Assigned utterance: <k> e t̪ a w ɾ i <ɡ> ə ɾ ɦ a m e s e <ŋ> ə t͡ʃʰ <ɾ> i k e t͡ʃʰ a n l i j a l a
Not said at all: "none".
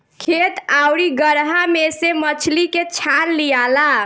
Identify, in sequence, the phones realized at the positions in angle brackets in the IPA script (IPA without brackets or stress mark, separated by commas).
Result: kʰ, ɡ, m, l